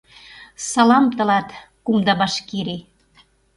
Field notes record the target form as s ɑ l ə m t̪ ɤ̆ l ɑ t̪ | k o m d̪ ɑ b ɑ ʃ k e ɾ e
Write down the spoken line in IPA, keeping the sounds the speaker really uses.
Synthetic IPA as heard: s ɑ l ɑ m t̪ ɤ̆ l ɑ t̪ | k u m d̪ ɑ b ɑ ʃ k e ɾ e